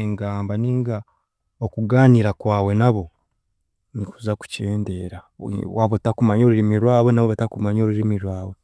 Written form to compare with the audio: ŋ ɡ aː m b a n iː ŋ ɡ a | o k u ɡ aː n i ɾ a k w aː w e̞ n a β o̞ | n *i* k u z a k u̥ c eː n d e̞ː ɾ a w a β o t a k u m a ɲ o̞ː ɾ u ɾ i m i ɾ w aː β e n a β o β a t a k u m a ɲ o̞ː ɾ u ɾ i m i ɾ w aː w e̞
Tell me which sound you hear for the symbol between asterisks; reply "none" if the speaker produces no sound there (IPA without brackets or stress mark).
i